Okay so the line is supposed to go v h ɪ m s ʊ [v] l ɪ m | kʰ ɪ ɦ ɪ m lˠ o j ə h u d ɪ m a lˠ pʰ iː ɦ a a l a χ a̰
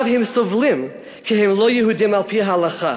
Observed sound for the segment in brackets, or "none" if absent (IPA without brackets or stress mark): v